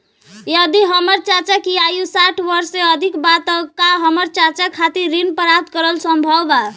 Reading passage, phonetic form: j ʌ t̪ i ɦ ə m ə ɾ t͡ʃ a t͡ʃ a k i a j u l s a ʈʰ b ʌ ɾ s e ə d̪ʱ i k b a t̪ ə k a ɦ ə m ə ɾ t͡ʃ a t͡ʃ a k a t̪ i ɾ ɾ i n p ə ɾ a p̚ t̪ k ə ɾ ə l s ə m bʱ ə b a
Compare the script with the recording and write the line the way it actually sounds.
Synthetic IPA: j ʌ d̪ i ɦ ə m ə ɾ t͡ʃ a t͡ʃ a k i a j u s a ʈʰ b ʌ ɾ s e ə d̪ʱ i k b a t̪ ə k a ɦ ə m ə ɾ t͡ʃ a t͡ʃ a kʰ a t̪ i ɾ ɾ i n p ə ɾ a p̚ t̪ k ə ɾ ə l s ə m bʱ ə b a